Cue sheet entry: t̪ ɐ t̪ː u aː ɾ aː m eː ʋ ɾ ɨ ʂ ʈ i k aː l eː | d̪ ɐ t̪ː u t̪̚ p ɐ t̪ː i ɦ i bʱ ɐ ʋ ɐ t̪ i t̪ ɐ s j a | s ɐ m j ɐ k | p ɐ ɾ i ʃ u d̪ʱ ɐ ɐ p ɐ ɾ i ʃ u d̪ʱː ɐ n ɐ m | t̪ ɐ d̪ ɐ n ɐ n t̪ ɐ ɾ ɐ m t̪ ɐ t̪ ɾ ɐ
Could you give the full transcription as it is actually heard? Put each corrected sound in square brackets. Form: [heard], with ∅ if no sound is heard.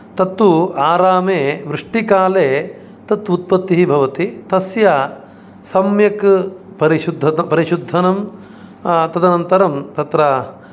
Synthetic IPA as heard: t̪ ɐ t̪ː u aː ɾ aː m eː ʋ ɾ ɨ ʂ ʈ i k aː l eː | [t̪] ɐ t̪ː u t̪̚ p ɐ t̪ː i ɦ i bʱ ɐ ʋ ɐ t̪ i t̪ ɐ s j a | s ɐ m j ɐ k | p ɐ ɾ i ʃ u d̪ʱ ɐ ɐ p ɐ ɾ i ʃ u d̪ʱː ɐ n ɐ m | t̪ ɐ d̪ ɐ n ɐ n t̪ ɐ ɾ ɐ m t̪ ɐ t̪ ɾ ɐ